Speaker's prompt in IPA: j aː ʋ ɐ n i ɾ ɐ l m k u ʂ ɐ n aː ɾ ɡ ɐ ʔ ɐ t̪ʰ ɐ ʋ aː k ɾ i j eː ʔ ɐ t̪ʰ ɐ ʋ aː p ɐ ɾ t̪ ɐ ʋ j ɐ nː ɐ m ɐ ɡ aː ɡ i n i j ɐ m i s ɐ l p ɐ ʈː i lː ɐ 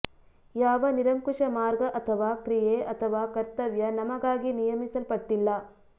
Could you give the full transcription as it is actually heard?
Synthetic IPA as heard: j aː ʋ ɐ n i ɾ ɐ m k u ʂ ɐ m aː ɾ ɡ ɐ ʔ ɐ t̪ʰ ɐ ʋ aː k ɾ i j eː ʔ ɐ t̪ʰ ɐ ʋ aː k ɐ ɾ t̪ ɐ ʋ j ɐ n ɐ m ɐ ɡ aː ɡ i n i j ɐ m i s ɐ l p ɐ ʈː i lː ɐ